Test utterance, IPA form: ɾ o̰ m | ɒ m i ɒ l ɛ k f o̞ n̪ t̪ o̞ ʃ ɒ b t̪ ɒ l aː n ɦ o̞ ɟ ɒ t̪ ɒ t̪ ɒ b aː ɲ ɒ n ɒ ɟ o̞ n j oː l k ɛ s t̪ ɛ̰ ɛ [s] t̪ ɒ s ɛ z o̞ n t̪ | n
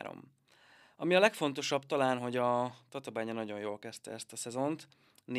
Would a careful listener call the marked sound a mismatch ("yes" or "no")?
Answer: no